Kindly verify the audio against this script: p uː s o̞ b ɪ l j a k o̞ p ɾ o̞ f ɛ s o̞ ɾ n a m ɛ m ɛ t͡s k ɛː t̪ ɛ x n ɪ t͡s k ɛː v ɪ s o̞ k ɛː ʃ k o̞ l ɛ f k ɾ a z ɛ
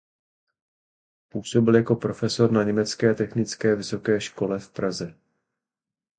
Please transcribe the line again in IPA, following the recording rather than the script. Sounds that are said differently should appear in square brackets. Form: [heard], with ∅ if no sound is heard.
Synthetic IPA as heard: p uː s o̞ b ɪ l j a k o̞ p ɾ o̞ f ɛ s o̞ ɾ n a [ɲ] ɛ m ɛ t͡s k ɛː t̪ ɛ x n ɪ t͡s k ɛː v ɪ s o̞ k ɛː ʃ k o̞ l ɛ f [p] ɾ a z ɛ